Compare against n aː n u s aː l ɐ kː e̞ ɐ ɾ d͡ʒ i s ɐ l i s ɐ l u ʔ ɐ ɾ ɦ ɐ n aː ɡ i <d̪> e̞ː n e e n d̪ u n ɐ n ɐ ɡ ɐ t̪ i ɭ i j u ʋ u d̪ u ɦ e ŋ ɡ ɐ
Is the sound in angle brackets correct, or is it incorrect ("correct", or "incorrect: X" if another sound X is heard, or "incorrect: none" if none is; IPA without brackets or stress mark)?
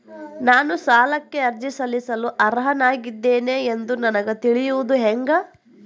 incorrect: d̪ː